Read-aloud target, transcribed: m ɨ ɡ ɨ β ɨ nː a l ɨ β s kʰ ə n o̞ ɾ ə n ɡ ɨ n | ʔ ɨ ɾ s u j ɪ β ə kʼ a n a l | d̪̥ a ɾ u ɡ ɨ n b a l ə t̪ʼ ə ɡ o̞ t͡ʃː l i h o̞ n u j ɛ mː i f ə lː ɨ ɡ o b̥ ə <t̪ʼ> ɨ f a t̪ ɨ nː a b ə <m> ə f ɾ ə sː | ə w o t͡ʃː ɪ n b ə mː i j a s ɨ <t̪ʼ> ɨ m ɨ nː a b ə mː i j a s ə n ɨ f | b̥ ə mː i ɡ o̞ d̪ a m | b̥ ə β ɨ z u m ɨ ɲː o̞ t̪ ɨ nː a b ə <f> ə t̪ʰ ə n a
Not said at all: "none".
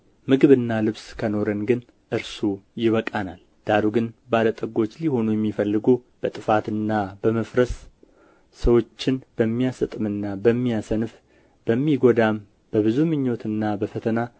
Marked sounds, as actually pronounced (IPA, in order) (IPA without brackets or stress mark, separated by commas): t̪ʼ, m, t̪ʼ, f